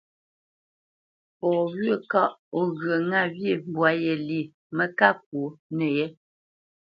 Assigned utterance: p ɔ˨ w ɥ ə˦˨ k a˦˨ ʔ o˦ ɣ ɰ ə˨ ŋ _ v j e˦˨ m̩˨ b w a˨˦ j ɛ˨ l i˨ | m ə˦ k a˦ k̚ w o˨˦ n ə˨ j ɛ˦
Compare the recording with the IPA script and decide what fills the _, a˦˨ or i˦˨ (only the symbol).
a˦˨